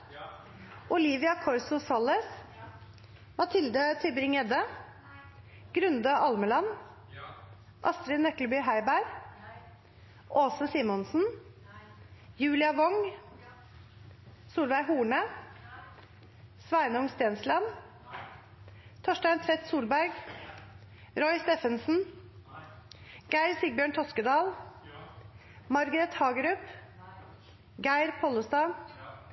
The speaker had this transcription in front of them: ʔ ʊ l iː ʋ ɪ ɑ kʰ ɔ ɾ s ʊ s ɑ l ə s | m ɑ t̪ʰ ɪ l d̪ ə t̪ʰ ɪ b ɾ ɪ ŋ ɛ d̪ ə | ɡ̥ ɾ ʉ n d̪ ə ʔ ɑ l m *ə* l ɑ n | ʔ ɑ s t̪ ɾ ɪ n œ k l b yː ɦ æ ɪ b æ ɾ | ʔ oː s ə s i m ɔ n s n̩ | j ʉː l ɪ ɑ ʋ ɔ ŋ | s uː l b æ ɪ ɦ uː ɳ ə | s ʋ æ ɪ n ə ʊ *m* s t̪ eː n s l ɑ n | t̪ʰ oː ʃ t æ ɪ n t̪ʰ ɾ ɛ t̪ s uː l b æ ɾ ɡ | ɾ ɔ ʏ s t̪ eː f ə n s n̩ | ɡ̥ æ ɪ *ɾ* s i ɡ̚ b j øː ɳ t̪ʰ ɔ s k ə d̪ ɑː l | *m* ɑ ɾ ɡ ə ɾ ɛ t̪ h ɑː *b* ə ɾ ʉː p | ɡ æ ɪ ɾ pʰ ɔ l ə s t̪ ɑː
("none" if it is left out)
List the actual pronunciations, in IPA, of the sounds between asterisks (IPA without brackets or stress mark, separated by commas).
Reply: ə, ŋ, ɾ, m, ɡ